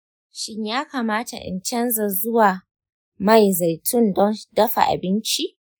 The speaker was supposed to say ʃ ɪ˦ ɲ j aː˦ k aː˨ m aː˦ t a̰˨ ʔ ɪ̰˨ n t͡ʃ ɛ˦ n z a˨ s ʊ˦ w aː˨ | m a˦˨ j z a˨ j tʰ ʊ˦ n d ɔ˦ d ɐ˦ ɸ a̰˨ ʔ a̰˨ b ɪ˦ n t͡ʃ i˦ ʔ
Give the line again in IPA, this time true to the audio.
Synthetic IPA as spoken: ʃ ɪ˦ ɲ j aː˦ k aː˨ m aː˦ t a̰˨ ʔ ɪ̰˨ n t͡ʃ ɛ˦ n z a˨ z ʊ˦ w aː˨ | m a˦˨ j z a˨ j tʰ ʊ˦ n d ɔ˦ d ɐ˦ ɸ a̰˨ ʔ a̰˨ b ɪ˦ n t͡ʃ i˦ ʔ